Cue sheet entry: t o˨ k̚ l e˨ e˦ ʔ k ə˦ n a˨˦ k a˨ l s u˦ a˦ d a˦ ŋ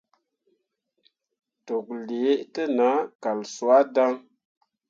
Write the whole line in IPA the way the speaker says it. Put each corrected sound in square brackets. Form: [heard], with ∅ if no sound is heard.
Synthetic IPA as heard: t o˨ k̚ l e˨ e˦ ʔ [t] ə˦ n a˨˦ k a˨ l s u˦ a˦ d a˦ ŋ